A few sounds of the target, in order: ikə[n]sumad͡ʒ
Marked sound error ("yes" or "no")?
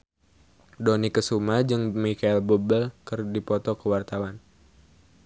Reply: yes